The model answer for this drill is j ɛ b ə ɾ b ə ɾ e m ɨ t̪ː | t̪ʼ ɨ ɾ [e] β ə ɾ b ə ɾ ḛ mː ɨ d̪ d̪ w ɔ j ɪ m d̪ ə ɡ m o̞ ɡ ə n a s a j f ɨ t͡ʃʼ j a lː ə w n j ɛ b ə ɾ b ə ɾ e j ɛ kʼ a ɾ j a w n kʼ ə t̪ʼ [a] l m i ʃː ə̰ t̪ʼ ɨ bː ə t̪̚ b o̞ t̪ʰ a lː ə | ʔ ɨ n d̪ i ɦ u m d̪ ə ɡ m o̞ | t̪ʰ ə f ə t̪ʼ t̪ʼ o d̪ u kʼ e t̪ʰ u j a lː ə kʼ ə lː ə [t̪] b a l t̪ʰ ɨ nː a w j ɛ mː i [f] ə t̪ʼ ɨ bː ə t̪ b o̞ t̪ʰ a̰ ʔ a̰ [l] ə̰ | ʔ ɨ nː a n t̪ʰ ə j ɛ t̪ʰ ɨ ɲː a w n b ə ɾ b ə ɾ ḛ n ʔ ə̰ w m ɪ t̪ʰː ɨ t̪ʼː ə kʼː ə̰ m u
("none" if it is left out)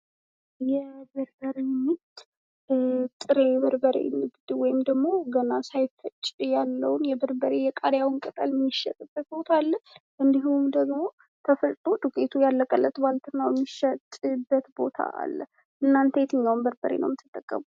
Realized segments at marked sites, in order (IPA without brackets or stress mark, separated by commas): e, ə, t̪, ʃ, lː